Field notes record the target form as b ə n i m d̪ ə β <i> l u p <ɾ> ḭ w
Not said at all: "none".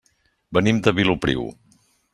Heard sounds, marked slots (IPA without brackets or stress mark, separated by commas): i, ɾ